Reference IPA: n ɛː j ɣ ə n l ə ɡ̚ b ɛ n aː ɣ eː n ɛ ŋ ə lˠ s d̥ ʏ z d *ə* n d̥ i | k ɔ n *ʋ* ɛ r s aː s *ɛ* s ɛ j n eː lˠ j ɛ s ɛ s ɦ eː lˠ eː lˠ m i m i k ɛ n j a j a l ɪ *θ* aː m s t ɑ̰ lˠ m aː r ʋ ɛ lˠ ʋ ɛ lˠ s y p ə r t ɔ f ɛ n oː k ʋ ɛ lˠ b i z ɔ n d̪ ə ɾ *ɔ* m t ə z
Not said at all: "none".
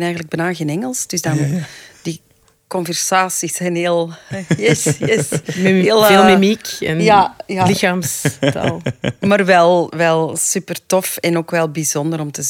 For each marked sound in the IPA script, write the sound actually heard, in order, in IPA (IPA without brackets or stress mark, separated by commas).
ɑ, v, i, x, ɔ